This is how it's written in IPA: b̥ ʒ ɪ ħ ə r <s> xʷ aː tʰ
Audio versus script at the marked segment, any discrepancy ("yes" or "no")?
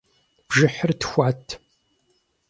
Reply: yes